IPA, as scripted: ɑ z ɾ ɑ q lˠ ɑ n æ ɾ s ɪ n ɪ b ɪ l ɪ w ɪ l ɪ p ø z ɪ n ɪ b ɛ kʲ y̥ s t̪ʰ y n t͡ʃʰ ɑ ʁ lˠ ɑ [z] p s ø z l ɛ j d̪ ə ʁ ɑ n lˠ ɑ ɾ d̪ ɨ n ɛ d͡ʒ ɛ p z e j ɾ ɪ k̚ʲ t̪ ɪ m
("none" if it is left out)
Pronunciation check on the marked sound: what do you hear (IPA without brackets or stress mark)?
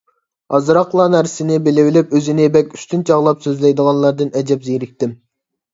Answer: none